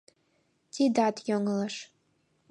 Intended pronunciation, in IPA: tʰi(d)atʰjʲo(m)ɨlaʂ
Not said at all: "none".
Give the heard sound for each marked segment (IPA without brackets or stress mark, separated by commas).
d, ŋ